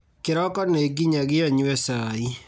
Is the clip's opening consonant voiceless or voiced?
voiceless